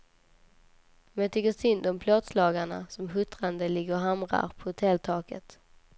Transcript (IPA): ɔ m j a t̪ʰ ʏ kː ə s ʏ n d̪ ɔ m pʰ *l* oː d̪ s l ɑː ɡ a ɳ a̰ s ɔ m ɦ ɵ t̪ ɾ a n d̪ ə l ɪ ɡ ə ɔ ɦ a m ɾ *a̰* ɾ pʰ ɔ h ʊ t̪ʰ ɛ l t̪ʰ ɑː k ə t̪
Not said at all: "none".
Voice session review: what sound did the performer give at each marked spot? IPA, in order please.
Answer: l, a̰

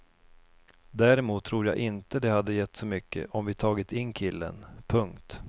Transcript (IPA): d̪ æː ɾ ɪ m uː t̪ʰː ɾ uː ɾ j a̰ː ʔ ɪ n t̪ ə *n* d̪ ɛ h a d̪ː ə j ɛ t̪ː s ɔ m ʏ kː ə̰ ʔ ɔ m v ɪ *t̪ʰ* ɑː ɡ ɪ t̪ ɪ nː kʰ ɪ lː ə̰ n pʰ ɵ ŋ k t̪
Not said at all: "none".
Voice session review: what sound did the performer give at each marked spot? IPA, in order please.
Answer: none, t̪ʰ

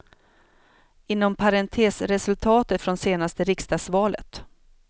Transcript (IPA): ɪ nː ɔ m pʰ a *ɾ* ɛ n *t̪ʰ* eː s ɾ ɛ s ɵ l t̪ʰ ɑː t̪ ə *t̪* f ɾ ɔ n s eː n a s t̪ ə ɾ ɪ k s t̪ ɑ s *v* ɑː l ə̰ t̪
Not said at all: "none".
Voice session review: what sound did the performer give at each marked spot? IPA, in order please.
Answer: ɾ, t̪ʰ, t̪, v

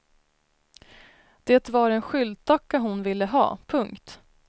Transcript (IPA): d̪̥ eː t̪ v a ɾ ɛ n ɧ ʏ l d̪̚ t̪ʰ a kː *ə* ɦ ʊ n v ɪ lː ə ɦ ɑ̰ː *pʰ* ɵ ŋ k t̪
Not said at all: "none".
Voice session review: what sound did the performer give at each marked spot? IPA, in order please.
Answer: a, pʰ

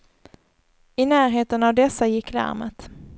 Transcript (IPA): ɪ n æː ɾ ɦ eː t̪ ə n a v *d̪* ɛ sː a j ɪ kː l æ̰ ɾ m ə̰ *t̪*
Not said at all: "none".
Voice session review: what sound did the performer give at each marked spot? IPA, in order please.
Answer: d̪, t̪

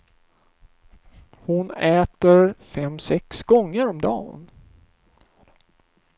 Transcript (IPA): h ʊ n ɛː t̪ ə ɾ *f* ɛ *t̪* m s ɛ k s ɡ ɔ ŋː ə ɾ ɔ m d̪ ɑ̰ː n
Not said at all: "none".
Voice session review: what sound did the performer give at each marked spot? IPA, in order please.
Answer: f, none

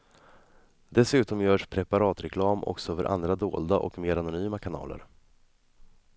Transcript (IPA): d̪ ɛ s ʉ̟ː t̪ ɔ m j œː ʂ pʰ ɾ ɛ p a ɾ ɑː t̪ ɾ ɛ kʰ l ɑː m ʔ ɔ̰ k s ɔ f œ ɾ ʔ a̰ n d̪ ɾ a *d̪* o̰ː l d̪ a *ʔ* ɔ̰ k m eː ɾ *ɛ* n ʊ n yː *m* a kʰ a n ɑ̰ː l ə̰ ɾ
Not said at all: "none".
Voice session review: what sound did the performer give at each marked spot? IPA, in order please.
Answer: d̪, ʔ, a, m

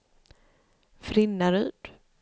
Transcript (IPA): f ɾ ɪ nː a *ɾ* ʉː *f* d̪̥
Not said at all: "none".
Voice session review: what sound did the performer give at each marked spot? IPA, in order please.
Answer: ɾ, none

